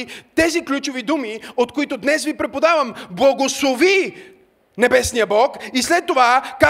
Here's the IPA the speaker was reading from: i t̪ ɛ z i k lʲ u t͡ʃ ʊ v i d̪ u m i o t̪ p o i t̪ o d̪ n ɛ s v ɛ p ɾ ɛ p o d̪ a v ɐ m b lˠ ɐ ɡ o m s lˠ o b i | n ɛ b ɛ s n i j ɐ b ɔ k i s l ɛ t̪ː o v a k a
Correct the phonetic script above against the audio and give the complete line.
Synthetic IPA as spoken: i t̪ ɛ z i k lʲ u t͡ʃ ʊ v i d̪ u m i o t̪ k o i t̪ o d̪ n ɛ s v i p ɾ ɛ p o d̪ a v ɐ m b lˠ ɐ ɡ o s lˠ o v i | n ɛ b ɛ s n i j ə b ɔ k i s l ɛ t̪ː o v a k a